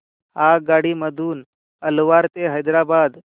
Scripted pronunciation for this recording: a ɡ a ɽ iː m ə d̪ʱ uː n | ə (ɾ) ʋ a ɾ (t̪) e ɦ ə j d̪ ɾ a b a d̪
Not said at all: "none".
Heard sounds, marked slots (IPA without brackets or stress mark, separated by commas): l, t̪